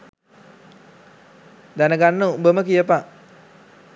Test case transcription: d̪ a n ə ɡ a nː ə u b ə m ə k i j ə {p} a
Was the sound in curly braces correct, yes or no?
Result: yes